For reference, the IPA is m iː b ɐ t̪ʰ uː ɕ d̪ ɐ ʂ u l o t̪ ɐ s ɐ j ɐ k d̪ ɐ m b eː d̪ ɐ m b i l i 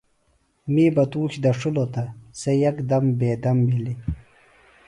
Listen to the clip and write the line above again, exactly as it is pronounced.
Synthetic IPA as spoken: m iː b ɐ t̪ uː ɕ d̪ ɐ ʂ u l o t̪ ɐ s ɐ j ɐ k d̪ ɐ m b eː d̪ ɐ m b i l i